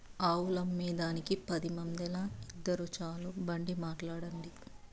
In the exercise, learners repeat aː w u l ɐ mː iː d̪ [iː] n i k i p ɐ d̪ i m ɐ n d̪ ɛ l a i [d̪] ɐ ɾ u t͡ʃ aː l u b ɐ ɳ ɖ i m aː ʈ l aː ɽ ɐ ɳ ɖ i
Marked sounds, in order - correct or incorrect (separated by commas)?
incorrect, incorrect